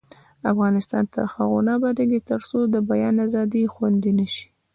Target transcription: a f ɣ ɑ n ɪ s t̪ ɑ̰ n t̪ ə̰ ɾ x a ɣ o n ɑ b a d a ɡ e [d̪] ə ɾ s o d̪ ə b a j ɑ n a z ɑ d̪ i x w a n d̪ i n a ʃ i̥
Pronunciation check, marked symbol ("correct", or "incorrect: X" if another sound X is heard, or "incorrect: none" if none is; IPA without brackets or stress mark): incorrect: t̪